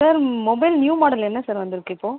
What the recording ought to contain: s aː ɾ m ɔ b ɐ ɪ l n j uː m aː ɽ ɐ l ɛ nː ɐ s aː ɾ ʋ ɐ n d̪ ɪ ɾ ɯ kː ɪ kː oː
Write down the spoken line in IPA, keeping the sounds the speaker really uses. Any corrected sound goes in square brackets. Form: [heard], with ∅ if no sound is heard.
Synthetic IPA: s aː ɾ m ɔ b ɐ ɪ l n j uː m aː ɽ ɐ l ɛ nː ɐ s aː ɾ ʋ ɐ n d̪ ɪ ɾ ɯ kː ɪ [pː] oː

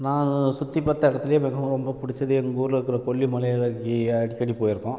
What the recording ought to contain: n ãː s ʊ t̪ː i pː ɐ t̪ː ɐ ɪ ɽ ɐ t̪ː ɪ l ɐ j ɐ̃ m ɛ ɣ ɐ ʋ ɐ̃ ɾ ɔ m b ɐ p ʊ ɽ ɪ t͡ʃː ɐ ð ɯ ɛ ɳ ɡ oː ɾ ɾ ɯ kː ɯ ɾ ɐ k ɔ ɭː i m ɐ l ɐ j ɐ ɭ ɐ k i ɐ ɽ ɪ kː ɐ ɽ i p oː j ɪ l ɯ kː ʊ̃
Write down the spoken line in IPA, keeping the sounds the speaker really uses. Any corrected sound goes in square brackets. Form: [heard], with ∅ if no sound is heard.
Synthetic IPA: n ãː s ʊ t̪ː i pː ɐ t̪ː ɐ ɪ ɽ ɐ t̪ː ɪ l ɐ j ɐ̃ m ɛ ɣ ɐ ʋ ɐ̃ ɾ ɔ m b ɐ p ʊ ɽ ɪ t͡ʃː ɐ ð ɯ ɛ [ŋ] ɡ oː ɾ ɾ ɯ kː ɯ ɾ ɐ k ɔ ɭː i m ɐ l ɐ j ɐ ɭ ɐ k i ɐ ɽ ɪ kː ɐ ɽ i p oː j ɪ [ɾ] ɯ kː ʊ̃

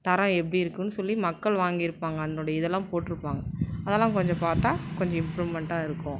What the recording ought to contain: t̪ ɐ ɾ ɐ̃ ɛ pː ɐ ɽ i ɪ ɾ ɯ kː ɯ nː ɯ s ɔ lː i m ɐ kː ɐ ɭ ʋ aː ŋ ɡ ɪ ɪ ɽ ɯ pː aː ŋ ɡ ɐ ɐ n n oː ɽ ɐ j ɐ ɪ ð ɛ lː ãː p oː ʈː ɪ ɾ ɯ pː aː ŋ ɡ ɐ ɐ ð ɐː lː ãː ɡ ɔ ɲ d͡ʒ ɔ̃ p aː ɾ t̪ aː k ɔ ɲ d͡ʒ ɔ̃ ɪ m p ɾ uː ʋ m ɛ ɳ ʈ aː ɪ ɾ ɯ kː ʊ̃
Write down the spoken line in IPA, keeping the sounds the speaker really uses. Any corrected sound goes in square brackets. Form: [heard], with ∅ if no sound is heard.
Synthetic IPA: t̪ ɐ ɾ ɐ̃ ɛ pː ɐ ɽ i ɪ ɾ ɯ kː ɯ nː ɯ s ɔ lː i m ɐ kː ɐ ɭ ʋ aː ŋ ɡ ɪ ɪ [ɾ] ɯ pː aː ŋ ɡ ɐ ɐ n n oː ɽ ɐ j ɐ ɪ ð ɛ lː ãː p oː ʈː ɪ ɾ ɯ pː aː ŋ ɡ ɐ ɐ ð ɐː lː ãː [k] ɔ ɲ d͡ʒ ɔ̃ p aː ɾ t̪ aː k ɔ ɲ d͡ʒ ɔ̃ ɪ m p ɾ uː ʋ m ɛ ɳ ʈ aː ɪ ɾ ɯ kː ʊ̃

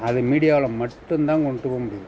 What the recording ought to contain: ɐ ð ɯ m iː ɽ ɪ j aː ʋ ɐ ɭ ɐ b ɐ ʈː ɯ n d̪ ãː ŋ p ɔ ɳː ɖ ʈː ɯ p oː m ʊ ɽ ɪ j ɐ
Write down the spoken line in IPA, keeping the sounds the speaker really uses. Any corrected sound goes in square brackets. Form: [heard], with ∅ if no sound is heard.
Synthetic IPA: ɐ ð ɯ m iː ɽ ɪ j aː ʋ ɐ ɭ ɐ [m] ɐ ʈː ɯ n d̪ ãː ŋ [k] ɔ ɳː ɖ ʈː ɯ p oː m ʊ ɽ ɪ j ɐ

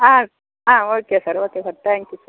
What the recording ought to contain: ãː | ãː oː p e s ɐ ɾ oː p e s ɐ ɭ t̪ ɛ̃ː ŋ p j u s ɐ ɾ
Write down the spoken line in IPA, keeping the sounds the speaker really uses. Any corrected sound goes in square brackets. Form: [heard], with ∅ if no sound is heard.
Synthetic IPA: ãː | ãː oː [k] e s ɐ ɾ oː [k] e s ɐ [ɾ] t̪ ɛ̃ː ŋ [k] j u s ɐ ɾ

